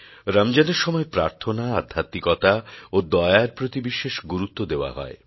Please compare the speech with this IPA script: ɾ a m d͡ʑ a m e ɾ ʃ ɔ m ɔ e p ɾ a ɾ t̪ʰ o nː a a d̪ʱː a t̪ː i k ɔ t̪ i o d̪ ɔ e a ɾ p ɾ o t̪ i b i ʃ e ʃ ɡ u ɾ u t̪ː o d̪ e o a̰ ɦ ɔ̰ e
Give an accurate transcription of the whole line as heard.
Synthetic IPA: ɾ a m d͡ʑ a n e ɾ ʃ ɔ m ɔ e p ɾ a ɾ t̪ʰ o n a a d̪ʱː a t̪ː i k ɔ t̪ a o d̪ ɔ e a ɾ p ɾ o t̪ i b i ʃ e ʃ ɡ u ɾ u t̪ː o d̪ e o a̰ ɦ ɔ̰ e